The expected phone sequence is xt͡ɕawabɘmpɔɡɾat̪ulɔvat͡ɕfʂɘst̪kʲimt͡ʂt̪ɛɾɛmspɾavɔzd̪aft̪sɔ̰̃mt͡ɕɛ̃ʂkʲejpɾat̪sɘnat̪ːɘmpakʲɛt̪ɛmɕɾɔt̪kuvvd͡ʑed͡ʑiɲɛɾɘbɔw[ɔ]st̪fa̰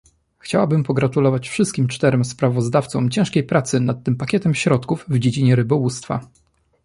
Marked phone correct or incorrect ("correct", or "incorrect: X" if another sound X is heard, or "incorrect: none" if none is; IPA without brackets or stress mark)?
incorrect: u